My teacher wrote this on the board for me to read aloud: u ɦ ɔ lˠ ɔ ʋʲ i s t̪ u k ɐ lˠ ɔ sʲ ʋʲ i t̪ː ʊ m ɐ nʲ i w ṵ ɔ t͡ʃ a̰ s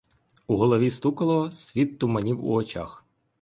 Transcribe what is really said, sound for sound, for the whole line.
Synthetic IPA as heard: u ɦ ɔ lˠ ɔ ʋʲ i s t̪ u k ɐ lˠ ɔ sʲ ʋʲ i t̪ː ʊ m ɐ nʲ i w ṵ ɔ t͡ʃ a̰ x

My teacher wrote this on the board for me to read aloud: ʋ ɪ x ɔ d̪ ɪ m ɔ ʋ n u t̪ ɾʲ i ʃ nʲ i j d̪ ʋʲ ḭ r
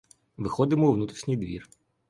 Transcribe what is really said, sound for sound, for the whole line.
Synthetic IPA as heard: ʋ ɪ x ɔ d̪ ɪ m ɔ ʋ n u t̪ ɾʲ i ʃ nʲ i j d̪ ʋʲ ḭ r

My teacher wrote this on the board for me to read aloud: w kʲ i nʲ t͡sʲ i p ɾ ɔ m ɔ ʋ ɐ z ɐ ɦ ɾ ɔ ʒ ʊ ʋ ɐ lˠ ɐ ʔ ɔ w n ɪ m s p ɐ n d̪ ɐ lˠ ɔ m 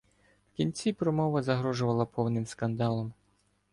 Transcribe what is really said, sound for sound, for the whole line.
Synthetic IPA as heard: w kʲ i nʲ t͡sʲ i p ɾ ɔ m ɔ ʋ ɐ z ɐ ɦ ɾ ɔ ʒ ʊ ʋ ɐ lˠ ɐ p ɔ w n ɪ m s k ɐ n d̪ ɑ lˠ ɔ m

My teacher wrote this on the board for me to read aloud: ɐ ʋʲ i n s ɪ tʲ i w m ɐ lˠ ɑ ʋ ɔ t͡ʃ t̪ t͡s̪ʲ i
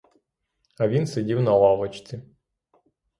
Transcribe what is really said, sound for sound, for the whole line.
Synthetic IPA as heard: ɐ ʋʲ i n s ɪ dʲ i w n ɐ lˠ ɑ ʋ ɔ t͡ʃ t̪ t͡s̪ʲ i

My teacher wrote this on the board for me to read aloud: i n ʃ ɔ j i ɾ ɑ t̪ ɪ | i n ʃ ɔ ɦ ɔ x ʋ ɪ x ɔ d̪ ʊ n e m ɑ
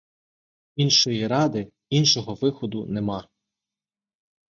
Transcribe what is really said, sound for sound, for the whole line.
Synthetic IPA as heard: i n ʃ ɔ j i ɾ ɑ d̪ ɪ | i n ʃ ɔ ɦ ɔ ʋ ɪ x ɔ d̪ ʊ n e m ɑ

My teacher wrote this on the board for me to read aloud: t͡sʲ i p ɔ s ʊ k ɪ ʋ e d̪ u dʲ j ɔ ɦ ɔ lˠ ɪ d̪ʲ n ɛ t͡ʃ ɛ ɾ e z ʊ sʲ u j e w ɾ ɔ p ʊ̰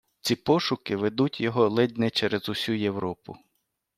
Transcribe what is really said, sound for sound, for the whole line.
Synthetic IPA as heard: t͡sʲ i p ɔ ʃ ʊ k ɪ ʋ e d̪ u tʲ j ɔ ɦ ɔ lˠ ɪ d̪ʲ n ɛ t͡ʃ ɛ ɾ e z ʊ sʲ u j e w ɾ ɔ p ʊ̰

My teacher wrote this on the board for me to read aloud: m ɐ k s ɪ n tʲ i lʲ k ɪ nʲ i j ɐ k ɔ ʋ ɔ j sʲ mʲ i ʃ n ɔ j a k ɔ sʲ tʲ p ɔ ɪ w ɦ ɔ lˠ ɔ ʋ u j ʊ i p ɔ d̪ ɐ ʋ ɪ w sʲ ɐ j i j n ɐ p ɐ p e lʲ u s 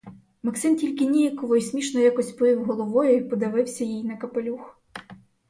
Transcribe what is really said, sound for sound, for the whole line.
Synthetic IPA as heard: m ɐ k s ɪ n tʲ i lʲ k ɪ nʲ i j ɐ k ɔ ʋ ɔ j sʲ mʲ i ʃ n ɔ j a k ɔ sʲ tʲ p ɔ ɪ w ɦ ɔ lˠ ɔ ʋ ɔ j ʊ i p ɔ d̪ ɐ ʋ ɪ w sʲ ɐ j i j n ɐ k ɐ p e lʲ u x

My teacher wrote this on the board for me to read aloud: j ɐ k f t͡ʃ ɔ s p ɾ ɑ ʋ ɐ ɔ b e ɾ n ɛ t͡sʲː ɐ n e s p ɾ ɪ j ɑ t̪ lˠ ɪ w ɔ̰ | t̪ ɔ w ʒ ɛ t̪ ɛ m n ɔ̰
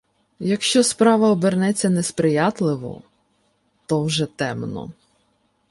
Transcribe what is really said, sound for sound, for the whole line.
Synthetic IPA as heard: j ɐ k ʃ t͡ʃ ɔ s p ɾ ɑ ʋ ɐ ɔ b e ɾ n ɛ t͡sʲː ɐ n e s p ɾ ɪ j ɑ t̪ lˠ ɪ ʋ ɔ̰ | t̪ ɔ w ʒ ɛ t̪ ɛ m n ɔ̰

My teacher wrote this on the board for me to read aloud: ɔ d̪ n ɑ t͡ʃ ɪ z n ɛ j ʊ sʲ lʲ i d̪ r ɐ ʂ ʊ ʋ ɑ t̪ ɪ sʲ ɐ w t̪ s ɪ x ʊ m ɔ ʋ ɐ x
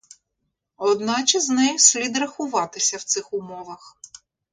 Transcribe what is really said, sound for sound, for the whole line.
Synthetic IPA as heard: ɔ d̪ n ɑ t͡ʃ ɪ z n ɛ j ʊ sʲ lʲ i d̪ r ɐ x ʊ ʋ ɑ t̪ ɪ sʲ ɐ w t̪ s ɪ x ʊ m ɔ ʋ ɐ x

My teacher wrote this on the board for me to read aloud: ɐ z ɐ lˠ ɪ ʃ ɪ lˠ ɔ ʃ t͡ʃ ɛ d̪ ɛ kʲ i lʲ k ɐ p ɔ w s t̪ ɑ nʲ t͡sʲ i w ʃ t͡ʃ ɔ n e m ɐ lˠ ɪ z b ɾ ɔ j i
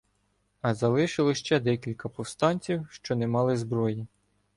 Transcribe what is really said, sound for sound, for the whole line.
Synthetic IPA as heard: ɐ z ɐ lˠ ɪ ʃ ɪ lˠ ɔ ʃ t͡ʃ ɛ d̪ ɛ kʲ i lʲ k ɐ p ɔ w s t̪ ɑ nʲ t͡sʲ i w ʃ t͡ʃ ɔ n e m ɑ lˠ ɪ z b ɾ ɔ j i

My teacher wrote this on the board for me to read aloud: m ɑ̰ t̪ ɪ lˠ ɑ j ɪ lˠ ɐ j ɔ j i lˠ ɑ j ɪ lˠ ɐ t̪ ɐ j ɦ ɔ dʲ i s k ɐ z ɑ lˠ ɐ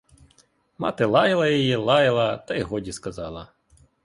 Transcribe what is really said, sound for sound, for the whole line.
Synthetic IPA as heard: m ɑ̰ t̪ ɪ lˠ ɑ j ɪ lˠ ɐ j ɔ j i lˠ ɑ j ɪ lˠ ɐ t̪ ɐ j ɦ ɔ dʲ i s k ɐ z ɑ lˠ ɐ

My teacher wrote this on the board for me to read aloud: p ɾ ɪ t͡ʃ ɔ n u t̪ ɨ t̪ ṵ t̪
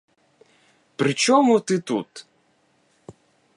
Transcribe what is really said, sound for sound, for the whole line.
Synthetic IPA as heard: p ɾ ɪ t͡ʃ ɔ m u t̪ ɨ t̪ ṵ t̪

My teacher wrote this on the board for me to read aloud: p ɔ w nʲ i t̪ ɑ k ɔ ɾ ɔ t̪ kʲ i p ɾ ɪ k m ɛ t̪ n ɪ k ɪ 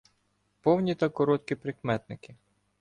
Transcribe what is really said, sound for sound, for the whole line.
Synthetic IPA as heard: p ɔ w nʲ i t̪ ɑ k ɔ ɾ ɔ t̪ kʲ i p ɾ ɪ k m ɛ t̪ n ɪ k ɪ

